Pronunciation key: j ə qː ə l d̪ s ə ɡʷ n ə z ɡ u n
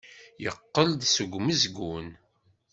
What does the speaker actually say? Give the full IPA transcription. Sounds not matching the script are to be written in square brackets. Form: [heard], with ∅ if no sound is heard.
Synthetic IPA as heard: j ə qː ə l d̪ s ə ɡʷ [m] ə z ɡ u n